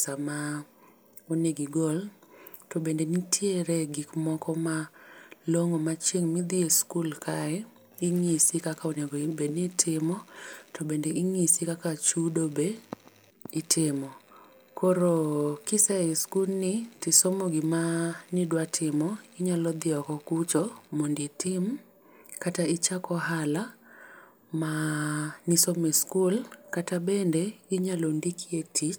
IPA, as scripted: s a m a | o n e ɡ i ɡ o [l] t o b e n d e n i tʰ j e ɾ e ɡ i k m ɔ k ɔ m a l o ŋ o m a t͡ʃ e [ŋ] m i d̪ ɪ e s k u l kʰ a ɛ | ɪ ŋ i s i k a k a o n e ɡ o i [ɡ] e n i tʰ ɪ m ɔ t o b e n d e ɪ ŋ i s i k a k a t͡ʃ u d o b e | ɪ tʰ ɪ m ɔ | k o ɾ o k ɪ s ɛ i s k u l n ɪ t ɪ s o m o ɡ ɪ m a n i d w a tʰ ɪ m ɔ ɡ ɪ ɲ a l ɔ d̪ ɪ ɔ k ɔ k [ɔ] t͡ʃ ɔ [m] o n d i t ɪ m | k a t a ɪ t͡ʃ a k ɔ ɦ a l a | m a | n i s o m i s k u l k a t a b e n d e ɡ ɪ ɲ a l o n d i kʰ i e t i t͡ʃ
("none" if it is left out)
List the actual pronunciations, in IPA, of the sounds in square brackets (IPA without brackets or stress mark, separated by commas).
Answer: l, ŋ, b, u, m